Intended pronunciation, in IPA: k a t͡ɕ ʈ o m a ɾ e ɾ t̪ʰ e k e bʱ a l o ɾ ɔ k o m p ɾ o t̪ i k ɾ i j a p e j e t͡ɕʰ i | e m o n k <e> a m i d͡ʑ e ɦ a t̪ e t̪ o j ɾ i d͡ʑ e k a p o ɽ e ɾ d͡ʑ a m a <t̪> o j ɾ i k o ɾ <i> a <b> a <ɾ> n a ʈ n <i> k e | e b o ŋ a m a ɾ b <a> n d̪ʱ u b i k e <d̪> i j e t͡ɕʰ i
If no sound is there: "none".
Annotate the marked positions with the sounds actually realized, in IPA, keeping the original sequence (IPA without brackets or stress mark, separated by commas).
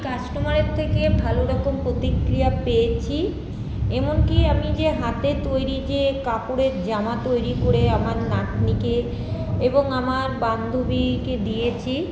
i, t̪, e, m, ɾ, i, a, d̪